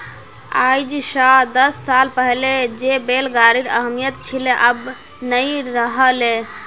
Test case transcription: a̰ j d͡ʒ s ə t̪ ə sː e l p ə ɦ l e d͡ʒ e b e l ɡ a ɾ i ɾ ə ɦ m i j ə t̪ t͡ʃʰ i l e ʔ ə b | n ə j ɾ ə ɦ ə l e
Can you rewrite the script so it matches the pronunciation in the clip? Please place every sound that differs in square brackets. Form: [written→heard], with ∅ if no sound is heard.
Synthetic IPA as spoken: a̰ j d͡ʒ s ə [t̪→d̪] ə sː [e→a] l p ə ɦ l e d͡ʒ e b e l ɡ a ɾ i ɾ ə ɦ m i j ə t̪ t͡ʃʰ i l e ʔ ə b | n ə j ɾ ə ɦ ə l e